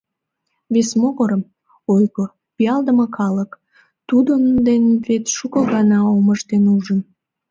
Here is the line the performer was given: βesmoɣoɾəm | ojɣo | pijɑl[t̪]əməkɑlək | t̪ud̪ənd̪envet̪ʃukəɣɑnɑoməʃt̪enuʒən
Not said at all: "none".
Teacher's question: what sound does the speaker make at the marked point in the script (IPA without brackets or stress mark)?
d̪